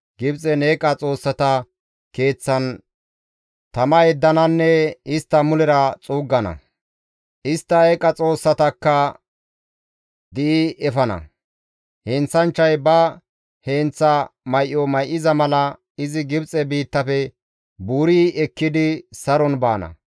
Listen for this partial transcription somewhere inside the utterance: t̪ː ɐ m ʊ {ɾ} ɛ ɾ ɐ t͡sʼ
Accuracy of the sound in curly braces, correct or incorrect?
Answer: incorrect